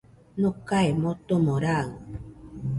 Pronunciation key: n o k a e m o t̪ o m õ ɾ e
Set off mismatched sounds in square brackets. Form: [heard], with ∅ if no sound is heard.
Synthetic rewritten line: n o k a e m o t̪ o m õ ɾ [a]

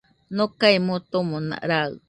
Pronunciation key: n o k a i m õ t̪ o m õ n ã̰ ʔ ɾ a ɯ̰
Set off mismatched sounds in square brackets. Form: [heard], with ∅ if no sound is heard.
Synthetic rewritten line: n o k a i m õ t̪ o m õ n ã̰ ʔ ɾ a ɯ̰

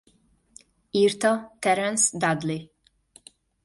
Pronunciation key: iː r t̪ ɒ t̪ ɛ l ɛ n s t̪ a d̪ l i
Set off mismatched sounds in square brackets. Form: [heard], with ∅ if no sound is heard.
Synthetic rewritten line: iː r t̪ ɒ t̪ ɛ [ɾ] ɛ n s [d̪] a d̪ l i

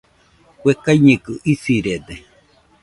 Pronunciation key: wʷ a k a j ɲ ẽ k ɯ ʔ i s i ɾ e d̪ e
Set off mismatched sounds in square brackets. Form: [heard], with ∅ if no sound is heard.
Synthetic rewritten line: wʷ [e] k a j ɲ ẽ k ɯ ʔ i s i ɾ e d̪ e

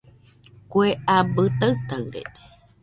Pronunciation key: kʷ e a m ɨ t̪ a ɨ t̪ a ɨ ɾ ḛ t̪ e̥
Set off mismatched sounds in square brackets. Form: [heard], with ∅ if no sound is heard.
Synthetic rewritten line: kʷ e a [b] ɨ t̪ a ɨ t̪ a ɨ ɾ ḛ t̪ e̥

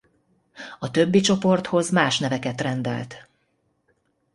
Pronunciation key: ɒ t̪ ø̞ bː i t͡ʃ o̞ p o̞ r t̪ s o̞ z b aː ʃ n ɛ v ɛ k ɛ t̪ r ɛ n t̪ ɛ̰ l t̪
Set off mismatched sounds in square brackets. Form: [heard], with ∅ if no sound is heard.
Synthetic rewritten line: ɒ t̪ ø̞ bː i t͡ʃ o̞ p o̞ r t̪ [h] o̞ z [m] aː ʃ n ɛ v ɛ k ɛ t̪ r ɛ n [d̪] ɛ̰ l t̪

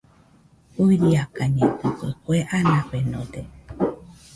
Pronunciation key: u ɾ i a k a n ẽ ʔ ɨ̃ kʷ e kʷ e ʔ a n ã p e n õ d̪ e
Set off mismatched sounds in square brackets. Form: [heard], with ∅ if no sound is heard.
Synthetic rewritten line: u ɾ i a k a [ɲ] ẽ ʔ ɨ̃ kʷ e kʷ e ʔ a n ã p e n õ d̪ e

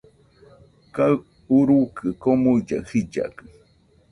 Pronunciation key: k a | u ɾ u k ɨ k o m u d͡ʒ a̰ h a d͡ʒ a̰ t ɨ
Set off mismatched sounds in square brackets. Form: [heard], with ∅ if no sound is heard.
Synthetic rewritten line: k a | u ɾ u k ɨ k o m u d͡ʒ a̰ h [i] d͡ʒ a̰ [k] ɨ

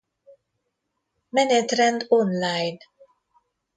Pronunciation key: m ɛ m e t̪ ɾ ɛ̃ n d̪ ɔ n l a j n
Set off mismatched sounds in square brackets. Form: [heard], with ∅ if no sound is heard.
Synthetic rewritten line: m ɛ [n] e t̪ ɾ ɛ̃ n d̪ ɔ n l a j n

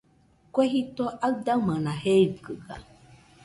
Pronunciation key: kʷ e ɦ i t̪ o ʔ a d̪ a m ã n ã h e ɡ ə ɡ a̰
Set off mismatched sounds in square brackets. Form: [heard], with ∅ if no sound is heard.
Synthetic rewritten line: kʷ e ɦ i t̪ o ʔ a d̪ a m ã n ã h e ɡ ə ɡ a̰

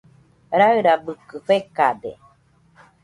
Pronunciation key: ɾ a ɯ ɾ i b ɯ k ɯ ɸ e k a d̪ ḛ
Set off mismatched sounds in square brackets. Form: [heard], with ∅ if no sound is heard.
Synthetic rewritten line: ɾ a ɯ ɾ [a] b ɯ k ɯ ɸ e k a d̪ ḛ

